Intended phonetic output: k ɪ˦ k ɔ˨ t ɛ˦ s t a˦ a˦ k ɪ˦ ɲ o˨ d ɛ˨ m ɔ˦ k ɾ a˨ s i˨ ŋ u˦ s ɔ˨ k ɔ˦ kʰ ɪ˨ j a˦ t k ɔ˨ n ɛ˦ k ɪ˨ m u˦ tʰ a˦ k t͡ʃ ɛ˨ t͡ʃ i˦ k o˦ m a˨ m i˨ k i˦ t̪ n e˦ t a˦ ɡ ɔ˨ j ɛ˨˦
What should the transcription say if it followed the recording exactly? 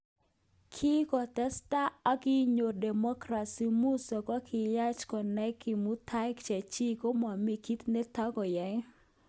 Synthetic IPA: kʰ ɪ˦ k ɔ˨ t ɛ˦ s t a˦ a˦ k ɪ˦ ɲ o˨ d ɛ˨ m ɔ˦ k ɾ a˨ s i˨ m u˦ s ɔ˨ k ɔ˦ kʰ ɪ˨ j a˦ t͡ʃ k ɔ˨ n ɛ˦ k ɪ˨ m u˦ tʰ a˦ k t͡ʃ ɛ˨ t͡ʃ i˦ k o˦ m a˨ m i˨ k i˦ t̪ n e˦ t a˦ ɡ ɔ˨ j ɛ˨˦